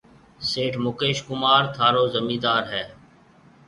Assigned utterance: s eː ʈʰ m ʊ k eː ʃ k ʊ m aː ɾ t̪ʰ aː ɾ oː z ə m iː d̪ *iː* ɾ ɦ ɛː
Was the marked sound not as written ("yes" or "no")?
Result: yes